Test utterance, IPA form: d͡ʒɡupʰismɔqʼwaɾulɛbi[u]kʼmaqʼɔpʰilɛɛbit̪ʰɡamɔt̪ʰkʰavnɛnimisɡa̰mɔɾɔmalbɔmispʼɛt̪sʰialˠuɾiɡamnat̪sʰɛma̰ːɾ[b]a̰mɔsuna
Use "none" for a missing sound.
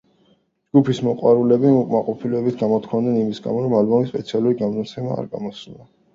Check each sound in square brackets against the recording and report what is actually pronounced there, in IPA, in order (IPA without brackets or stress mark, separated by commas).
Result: u, ɡ